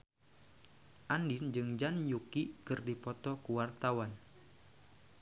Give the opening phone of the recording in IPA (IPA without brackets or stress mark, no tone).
ʔ